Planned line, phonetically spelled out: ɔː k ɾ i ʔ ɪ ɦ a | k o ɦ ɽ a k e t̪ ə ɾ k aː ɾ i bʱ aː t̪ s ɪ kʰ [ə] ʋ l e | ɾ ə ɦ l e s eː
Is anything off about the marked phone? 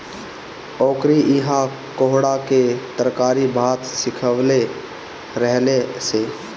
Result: no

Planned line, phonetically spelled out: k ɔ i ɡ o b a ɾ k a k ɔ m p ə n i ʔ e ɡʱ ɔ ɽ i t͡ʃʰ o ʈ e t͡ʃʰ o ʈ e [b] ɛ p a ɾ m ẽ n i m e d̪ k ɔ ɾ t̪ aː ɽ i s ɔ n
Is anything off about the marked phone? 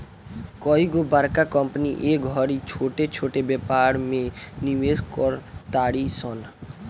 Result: no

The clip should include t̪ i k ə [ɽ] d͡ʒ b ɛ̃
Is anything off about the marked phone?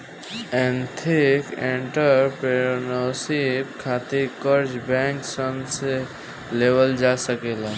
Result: yes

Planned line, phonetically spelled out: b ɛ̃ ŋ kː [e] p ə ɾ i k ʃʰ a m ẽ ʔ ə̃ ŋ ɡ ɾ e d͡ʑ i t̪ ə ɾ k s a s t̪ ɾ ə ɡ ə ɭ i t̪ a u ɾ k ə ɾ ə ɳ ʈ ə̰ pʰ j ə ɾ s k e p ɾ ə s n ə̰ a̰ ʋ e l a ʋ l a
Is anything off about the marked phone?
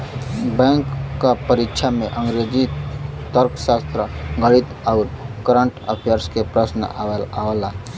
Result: yes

